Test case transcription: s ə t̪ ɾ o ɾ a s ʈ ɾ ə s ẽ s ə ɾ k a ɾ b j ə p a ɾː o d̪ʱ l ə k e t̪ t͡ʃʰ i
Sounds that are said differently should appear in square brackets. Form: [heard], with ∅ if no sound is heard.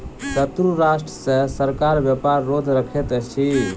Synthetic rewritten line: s ə t̪ ɾ [u] ɾ a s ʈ ɾ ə s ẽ s ə ɾ k a ɾ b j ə p a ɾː o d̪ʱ [ɾ] ə [kʰ] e t̪ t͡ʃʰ i